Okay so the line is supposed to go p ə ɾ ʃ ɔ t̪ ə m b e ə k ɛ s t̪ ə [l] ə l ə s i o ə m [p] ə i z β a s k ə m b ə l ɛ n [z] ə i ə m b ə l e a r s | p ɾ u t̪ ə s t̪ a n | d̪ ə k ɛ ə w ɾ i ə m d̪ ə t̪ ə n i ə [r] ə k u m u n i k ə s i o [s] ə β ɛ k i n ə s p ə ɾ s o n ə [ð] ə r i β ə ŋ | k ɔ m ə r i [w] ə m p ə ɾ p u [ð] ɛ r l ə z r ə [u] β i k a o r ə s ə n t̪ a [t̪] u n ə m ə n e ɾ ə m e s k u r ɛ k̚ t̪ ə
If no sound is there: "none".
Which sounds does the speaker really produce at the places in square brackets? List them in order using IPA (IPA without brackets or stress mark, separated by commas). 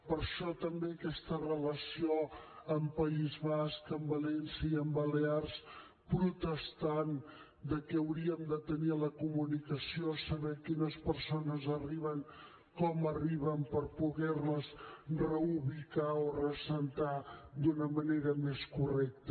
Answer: r, p, s, l, s, z, β, ɣ, u, d̪